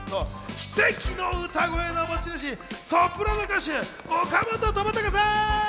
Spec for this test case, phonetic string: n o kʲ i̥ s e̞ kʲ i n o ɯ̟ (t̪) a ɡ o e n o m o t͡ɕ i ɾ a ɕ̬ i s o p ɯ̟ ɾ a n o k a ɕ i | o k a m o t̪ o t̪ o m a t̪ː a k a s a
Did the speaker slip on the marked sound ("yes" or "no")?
no